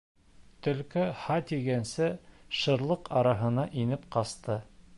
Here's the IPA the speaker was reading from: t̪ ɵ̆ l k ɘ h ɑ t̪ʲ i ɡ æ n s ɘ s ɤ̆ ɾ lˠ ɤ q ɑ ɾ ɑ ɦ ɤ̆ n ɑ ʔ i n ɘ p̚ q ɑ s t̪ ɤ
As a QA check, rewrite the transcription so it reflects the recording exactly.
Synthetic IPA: t̪ ɵ̆ l k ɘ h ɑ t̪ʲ i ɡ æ n s ɘ ʃ ɤ̆ ɾ lˠ ɤ q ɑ ɾ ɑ ɦ ɤ̆ n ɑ ʔ i n ɘ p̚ q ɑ s t̪ ɤ